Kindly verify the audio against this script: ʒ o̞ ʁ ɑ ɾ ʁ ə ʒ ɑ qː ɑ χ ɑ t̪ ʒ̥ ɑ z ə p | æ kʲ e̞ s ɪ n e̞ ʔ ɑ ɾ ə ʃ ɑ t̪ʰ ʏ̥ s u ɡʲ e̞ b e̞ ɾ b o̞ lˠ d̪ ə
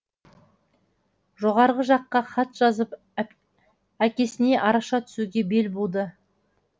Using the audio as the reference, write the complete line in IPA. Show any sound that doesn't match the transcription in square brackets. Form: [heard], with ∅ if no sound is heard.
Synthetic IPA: ʒ o̞ ʁ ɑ ɾ ʁ ə ʒ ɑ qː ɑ χ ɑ t̪ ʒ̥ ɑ z ə p | æ kʲ e̞ s ɪ n e̞ ʔ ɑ ɾ [ɑ] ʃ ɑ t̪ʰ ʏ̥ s u ɡʲ e̞ b e̞ [l] b o̞ lˠ d̪ ə

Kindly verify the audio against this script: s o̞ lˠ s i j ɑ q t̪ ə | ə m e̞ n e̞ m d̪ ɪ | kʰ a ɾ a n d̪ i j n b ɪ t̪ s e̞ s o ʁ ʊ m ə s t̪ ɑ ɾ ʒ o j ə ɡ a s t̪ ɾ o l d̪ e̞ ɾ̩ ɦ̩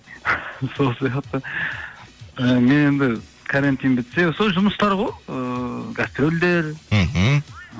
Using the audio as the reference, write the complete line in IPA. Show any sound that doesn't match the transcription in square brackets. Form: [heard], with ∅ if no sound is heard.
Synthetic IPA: s o̞ lˠ s i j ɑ q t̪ ə | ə m e̞ n e̞ [n] d̪ ɪ | kʰ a ɾ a n [t̪] i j n b ɪ t̪ s e̞ s o [ʒ] ʊ m ə s t̪ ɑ ɾ [ʁ] o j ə ɡ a s t̪ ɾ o l d̪ e̞ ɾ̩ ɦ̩

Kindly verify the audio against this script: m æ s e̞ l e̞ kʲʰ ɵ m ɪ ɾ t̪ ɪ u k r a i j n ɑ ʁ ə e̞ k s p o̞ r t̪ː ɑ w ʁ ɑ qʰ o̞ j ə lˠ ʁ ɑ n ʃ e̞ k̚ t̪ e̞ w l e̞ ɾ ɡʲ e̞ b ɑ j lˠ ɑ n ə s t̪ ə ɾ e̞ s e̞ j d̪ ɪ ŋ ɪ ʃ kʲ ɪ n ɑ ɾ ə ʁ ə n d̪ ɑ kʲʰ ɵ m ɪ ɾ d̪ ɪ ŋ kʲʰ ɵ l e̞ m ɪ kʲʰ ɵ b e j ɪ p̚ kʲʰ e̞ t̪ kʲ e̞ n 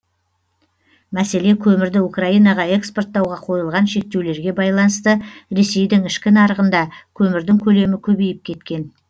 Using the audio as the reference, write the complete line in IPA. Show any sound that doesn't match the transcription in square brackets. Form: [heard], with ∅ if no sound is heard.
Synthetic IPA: m æ s e̞ l e̞ kʲʰ ɵ m ɪ ɾ [d̪] ɪ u k r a i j n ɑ ʁ [ɑ] e̞ k s p o̞ r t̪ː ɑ w ʁ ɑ qʰ o̞ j ə lˠ ʁ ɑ n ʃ e̞ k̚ t̪ e̞ w l e̞ ɾ ɡʲ e̞ b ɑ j lˠ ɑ n ə s t̪ ə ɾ e̞ s e̞ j d̪ ɪ ŋ ɪ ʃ kʲ ɪ n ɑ ɾ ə ʁ ə n d̪ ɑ kʲʰ ɵ m ɪ ɾ d̪ ɪ ŋ kʲʰ ɵ l e̞ m ɪ kʲʰ ɵ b e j ɪ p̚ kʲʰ e̞ t̪ kʲ e̞ n

